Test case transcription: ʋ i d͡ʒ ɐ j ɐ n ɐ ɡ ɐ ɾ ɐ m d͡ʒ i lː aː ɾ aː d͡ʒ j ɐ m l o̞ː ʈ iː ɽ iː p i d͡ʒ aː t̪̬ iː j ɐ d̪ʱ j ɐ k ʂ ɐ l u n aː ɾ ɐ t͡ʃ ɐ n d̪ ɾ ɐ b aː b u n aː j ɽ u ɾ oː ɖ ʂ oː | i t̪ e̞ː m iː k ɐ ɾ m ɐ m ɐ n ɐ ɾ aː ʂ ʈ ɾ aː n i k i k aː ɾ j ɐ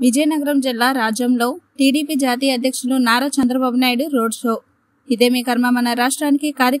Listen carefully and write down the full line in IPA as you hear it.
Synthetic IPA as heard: ʋ i d͡ʒ ɐ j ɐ n ɐ ɡ ɐ ɾ ɐ m d͡ʒ i lː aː ɾ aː d͡ʒ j ɐ m l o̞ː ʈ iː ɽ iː p i d͡ʒ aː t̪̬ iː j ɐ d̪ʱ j ɐ k ʂ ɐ l u n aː ɾ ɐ t͡ʃ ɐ n d̪ ɾ ɐ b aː b u n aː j ɽ u ɾ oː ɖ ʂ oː | i d̪ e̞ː m iː k ɐ ɾ m ɐ m ɐ n ɐ ɾ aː ʂ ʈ ɾ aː n i k i k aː ɾ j ɐ